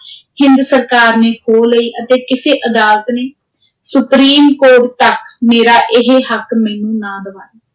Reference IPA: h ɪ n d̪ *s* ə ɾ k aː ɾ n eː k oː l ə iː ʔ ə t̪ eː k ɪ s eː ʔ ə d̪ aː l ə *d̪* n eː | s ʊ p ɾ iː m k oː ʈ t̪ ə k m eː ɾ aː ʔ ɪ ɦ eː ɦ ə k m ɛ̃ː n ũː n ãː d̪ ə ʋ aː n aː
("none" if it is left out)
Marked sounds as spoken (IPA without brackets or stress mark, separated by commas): s, t̪